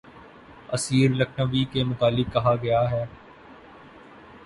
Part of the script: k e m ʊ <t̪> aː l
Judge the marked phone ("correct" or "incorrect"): correct